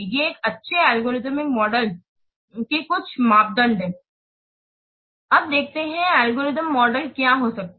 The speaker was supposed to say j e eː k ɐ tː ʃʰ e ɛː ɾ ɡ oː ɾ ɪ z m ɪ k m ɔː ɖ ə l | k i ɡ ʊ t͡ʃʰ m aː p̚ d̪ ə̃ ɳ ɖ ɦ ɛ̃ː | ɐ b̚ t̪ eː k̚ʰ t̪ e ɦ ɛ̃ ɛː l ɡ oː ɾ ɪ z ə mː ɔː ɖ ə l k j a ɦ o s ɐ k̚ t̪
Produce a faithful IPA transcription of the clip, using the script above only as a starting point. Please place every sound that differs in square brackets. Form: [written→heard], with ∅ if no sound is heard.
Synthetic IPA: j e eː k ɐ tː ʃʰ e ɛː [ɾ→l] ɡ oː ɾ ɪ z m ɪ k m ɔː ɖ ə l | k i [ɡ→k] ʊ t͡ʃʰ m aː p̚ d̪ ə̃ ɳ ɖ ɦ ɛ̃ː | ɐ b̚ [t̪→d̪] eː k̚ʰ t̪ e ɦ ɛ̃ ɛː l ɡ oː ɾ ɪ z ə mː ɔː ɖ ə l k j a ɦ o s ɐ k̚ t̪